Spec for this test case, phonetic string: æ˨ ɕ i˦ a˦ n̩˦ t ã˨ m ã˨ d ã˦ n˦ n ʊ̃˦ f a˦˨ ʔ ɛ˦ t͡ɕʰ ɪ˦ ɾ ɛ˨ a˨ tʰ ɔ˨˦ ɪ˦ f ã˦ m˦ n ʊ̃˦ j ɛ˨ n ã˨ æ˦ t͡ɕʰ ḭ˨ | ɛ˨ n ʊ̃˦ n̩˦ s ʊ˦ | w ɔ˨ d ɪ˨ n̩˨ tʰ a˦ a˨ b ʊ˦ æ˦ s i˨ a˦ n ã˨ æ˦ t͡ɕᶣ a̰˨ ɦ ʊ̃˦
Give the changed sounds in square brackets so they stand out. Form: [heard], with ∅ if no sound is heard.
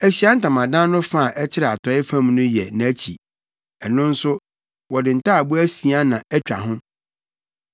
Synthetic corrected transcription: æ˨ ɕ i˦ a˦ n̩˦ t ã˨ m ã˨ d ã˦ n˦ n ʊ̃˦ f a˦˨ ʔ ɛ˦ t͡ɕʰ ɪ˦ ɾ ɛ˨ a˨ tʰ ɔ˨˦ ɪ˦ f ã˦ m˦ n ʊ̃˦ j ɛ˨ n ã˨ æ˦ t͡ɕʰ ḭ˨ | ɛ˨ n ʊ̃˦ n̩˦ s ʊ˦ | w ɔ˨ d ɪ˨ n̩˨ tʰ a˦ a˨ b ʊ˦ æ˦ s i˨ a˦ n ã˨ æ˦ t͡ɕᶣ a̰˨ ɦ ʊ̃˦